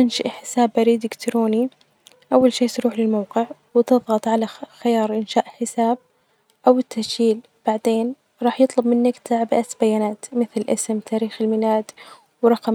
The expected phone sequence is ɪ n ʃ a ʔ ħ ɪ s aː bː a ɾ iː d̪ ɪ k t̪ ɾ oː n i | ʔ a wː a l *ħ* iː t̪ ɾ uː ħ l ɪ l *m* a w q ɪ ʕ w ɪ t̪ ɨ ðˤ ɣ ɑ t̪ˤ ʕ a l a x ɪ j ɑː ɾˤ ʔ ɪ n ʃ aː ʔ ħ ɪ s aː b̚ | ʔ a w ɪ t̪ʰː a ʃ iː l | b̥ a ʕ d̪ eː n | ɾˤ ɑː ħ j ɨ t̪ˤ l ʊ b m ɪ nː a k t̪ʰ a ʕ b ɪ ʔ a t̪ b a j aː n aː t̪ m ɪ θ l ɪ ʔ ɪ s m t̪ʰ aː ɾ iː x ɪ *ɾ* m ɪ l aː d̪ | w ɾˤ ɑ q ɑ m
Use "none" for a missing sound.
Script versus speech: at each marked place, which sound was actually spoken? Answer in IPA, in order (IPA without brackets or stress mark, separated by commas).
ʃ, m, l